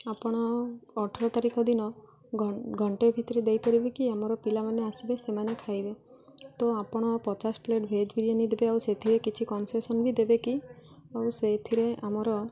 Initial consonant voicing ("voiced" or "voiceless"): voiceless